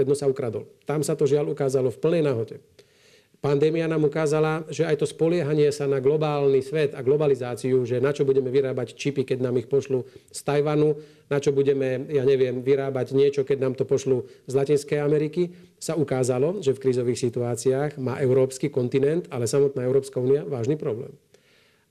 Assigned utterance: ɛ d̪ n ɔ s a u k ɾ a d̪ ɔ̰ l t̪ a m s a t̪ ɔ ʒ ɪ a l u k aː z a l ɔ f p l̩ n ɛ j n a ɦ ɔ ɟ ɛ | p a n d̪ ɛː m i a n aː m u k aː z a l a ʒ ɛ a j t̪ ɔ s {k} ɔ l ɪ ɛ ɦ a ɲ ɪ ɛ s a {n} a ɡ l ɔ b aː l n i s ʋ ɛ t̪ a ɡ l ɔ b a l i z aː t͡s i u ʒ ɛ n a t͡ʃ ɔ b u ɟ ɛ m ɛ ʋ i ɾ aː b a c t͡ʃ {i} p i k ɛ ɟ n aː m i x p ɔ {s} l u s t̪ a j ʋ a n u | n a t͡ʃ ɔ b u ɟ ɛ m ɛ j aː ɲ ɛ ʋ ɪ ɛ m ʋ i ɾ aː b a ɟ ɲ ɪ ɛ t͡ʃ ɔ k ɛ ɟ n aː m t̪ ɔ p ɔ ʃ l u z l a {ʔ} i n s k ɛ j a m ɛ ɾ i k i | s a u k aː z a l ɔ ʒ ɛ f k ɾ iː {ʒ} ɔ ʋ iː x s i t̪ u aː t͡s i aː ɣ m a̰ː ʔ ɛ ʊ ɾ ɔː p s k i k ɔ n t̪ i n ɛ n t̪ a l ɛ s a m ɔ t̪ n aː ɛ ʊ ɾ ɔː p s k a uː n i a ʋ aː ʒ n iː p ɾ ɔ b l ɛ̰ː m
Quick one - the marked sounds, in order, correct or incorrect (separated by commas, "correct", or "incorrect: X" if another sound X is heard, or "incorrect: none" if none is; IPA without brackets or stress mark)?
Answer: incorrect: p, correct, correct, incorrect: ʃ, incorrect: c, incorrect: z